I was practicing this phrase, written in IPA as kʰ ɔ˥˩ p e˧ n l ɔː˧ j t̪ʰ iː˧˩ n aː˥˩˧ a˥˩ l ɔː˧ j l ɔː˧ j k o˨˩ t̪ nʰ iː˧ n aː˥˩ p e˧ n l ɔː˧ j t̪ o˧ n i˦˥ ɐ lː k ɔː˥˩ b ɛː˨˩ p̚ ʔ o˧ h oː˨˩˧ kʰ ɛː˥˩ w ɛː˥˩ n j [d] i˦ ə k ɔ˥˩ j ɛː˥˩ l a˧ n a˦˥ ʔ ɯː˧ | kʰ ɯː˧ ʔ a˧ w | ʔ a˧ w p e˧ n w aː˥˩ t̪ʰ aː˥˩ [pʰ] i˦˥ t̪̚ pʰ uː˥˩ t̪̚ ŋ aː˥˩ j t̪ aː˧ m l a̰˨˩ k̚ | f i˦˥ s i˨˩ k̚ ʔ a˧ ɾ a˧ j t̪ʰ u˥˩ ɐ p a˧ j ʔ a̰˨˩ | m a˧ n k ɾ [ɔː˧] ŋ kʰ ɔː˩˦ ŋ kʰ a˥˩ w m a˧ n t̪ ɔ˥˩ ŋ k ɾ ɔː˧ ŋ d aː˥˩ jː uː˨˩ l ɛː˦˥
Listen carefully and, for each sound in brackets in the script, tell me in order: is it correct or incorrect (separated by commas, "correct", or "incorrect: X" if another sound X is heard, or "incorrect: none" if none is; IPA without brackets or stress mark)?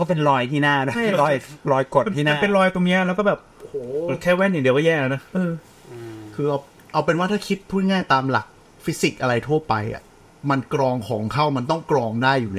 correct, incorrect: kʰ, correct